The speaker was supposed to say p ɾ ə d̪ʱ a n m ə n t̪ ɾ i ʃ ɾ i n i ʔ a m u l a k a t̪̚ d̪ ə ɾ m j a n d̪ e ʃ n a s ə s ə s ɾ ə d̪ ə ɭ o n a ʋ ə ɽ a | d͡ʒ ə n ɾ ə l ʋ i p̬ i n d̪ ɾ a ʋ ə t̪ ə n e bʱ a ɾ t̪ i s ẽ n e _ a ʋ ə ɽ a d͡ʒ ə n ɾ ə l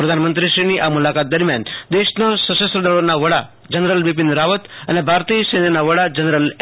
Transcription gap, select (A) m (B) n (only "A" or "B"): B